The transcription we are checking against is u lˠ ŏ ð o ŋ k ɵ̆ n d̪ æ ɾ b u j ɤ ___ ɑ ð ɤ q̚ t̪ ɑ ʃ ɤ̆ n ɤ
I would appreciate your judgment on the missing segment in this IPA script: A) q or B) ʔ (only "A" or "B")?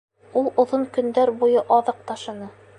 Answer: B